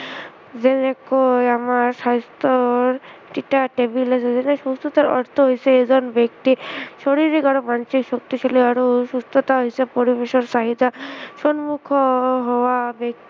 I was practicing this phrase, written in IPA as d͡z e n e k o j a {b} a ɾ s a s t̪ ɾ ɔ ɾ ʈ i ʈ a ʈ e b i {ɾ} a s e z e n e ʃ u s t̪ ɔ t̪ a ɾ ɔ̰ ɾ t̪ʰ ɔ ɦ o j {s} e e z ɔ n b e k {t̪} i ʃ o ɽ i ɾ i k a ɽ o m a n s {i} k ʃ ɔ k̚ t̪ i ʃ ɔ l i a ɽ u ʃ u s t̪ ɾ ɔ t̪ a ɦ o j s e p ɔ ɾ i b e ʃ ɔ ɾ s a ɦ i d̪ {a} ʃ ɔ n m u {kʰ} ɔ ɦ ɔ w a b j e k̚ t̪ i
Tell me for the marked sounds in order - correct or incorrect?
incorrect, incorrect, correct, correct, correct, correct, correct

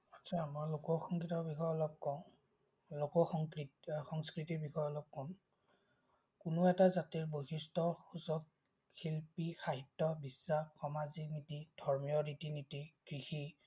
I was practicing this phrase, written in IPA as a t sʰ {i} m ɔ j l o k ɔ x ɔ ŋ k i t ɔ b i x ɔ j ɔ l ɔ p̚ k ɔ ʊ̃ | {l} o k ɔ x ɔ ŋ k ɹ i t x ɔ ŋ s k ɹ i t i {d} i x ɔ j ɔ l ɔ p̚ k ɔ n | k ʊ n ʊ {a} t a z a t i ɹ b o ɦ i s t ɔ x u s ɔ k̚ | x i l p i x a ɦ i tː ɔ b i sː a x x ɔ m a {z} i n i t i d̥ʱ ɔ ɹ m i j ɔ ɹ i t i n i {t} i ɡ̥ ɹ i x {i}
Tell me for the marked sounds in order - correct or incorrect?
incorrect, correct, incorrect, incorrect, correct, correct, correct

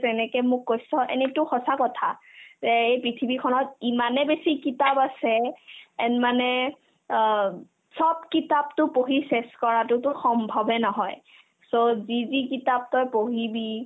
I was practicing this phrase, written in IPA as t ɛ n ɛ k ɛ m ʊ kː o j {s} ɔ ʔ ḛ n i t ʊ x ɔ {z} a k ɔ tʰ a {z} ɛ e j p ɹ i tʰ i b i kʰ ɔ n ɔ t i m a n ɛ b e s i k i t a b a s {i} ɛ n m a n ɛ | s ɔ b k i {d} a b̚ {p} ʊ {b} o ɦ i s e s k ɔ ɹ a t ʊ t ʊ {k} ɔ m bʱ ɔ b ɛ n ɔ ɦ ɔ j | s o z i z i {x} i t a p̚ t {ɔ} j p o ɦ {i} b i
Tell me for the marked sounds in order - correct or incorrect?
correct, incorrect, correct, incorrect, incorrect, incorrect, incorrect, incorrect, incorrect, correct, correct

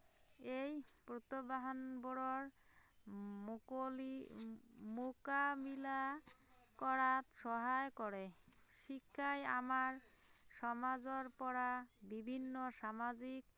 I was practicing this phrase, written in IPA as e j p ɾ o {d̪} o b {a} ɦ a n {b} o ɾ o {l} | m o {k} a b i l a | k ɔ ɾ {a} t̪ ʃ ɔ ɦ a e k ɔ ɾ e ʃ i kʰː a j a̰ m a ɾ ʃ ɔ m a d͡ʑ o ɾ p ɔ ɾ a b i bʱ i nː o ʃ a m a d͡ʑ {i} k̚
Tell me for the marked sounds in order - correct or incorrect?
incorrect, correct, correct, incorrect, correct, correct, correct

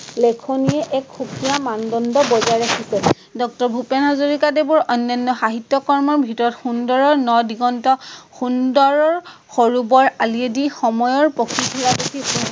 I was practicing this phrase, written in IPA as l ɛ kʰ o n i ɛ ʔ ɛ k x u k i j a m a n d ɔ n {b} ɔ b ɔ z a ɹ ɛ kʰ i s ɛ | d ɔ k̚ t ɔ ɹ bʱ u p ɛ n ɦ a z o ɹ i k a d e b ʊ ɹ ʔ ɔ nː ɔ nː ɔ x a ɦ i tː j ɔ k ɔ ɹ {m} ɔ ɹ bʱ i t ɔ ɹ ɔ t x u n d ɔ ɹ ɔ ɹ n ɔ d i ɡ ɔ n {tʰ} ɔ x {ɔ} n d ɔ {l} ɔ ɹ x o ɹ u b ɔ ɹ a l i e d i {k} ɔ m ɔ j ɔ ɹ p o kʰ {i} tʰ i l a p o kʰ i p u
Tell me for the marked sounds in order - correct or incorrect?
incorrect, correct, incorrect, incorrect, incorrect, incorrect, correct

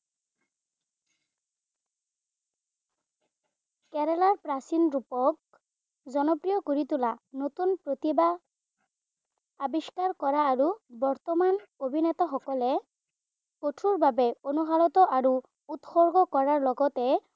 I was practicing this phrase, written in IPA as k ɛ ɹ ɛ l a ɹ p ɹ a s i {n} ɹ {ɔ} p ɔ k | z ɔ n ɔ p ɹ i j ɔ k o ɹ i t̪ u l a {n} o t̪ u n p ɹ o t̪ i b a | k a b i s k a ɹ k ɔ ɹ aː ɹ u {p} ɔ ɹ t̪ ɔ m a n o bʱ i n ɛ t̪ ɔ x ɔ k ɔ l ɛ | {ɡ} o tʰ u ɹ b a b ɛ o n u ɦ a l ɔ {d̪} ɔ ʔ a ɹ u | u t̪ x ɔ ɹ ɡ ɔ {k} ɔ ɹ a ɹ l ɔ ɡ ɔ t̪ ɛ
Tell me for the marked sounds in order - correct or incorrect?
correct, incorrect, correct, incorrect, incorrect, incorrect, correct

